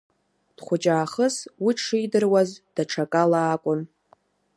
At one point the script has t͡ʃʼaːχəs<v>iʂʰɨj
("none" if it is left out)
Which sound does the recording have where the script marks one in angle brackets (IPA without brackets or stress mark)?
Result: w